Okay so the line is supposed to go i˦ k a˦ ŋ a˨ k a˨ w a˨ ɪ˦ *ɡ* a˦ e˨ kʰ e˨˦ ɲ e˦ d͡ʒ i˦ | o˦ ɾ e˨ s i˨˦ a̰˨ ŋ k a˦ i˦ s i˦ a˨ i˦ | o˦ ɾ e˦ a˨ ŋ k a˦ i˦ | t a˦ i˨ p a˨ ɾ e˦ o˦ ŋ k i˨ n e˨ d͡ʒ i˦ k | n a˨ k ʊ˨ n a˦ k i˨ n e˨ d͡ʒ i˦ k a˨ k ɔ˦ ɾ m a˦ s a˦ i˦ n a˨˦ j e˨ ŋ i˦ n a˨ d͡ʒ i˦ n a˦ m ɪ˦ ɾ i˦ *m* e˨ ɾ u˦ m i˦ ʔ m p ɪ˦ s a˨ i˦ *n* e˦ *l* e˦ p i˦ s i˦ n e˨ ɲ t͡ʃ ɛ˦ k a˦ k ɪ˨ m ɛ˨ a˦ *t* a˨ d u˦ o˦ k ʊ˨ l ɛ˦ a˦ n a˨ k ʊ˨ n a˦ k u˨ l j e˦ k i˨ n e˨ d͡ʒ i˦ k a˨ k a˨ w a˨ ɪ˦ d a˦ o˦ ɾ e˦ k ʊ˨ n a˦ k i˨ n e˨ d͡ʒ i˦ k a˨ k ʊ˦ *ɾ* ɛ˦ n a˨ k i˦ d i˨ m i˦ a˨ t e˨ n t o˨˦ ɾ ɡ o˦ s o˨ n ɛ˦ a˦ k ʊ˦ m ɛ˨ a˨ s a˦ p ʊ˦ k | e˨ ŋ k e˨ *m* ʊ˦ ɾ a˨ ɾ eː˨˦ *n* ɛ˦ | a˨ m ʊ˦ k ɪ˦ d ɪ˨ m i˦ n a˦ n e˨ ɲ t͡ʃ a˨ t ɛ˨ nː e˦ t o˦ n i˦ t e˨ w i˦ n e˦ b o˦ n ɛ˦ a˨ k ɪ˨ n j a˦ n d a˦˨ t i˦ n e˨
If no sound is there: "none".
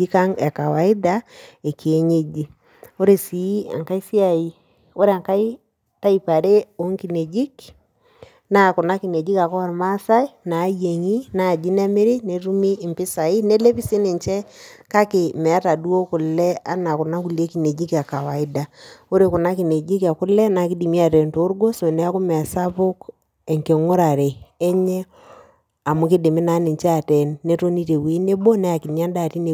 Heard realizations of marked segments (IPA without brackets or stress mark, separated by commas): d, n, n, l, t, l, ŋ, ɲ